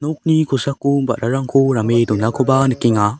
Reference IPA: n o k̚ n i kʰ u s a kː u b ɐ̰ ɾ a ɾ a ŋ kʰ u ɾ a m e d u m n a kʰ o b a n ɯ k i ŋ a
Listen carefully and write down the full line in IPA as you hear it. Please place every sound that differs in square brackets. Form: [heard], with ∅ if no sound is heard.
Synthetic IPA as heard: n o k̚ n i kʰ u s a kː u b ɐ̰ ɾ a ɾ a ŋ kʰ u ɾ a m e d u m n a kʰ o b a n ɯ k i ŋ a